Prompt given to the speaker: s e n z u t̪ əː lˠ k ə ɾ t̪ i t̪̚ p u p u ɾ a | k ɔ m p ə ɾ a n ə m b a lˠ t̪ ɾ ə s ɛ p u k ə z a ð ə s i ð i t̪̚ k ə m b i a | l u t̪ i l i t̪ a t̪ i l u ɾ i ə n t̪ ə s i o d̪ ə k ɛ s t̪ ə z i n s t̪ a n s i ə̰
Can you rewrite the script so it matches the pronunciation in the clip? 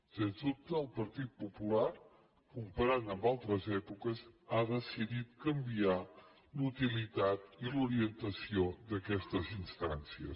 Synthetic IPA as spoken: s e n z u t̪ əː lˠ p ə ɾ t̪ i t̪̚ p u p u l a | k u m p ə ɾ a n ə m b a lˠ t̪ ɾ ə z ɛ p u k ə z a ð ə s i ð i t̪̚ k ə m b i a | l u t̪ i l i t̪ a t̪ i l u ɾ i ə n t̪ ə s i o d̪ ə k ɛ s t̪ ə z i n s t̪ a n s i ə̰